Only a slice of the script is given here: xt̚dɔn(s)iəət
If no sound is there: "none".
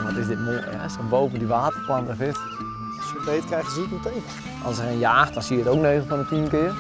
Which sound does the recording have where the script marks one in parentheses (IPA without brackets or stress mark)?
s